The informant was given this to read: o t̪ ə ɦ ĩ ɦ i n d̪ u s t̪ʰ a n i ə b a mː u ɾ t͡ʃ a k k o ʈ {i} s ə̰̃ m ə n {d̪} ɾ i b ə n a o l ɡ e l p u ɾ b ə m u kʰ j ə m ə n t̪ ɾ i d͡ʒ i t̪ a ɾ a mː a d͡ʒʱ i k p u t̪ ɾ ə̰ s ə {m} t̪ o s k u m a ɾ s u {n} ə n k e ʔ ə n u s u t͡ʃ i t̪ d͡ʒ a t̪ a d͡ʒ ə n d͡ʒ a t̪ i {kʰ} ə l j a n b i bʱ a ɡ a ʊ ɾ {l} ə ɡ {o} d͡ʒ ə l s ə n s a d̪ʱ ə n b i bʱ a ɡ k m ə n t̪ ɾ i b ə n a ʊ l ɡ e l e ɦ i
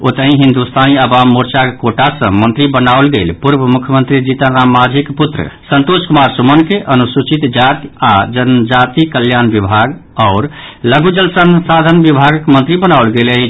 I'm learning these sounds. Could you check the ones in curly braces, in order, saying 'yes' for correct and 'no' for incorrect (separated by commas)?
no, no, no, no, no, yes, no